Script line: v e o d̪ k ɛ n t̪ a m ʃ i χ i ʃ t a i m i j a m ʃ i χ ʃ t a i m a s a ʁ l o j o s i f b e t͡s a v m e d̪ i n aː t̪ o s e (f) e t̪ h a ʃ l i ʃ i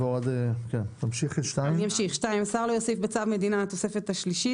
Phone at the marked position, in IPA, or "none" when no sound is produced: f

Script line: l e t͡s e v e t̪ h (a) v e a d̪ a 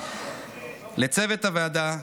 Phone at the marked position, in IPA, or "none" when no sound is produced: a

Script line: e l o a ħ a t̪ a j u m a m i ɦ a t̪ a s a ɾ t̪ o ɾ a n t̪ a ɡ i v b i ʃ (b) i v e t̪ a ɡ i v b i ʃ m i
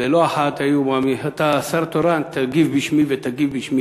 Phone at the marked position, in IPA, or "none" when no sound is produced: m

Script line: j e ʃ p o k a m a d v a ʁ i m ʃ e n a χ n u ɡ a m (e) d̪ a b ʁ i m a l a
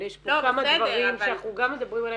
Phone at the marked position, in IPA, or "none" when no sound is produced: e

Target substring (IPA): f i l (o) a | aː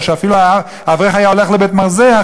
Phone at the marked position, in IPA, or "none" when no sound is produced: u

